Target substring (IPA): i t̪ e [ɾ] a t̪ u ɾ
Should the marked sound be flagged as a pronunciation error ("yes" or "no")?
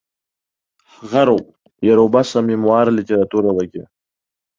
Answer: no